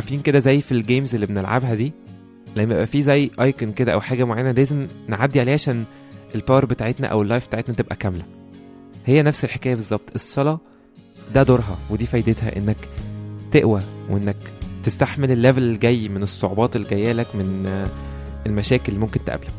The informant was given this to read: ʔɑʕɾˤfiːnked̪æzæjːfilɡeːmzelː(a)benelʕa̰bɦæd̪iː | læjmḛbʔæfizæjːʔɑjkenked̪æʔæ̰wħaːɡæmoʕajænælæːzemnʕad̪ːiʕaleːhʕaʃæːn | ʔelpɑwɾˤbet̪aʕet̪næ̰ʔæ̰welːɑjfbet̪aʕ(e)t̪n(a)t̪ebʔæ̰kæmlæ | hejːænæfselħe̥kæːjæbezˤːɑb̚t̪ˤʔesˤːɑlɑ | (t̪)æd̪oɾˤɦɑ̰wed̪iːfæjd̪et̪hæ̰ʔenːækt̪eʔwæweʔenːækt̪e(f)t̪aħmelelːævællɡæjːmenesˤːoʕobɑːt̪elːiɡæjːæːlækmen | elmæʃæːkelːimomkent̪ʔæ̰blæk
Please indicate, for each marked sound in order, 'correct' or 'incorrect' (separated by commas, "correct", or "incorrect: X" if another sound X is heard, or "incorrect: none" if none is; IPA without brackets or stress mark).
incorrect: i, correct, incorrect: æ, incorrect: d̪, incorrect: s